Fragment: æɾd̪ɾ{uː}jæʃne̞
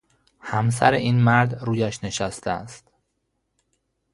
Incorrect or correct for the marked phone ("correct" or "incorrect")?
correct